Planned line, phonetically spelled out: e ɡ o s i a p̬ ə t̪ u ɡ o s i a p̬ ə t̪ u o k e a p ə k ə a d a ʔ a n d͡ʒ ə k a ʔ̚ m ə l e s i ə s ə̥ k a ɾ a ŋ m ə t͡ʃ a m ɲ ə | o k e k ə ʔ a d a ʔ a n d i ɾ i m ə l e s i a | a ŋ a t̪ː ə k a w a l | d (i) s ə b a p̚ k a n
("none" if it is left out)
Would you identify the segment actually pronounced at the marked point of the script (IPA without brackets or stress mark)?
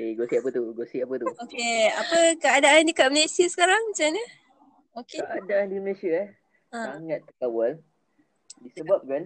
i